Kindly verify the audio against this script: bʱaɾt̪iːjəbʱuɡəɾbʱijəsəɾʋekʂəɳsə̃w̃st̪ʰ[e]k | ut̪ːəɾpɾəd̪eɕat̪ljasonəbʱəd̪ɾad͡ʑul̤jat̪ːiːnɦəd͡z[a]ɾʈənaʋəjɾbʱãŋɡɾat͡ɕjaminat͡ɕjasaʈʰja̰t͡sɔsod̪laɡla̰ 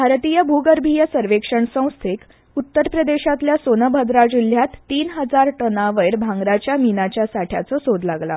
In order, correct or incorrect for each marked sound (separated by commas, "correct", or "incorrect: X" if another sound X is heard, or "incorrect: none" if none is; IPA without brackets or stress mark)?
correct, correct